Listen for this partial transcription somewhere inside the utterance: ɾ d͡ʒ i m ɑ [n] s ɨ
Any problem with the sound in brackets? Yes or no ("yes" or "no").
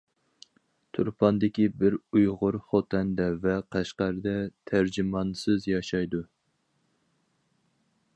no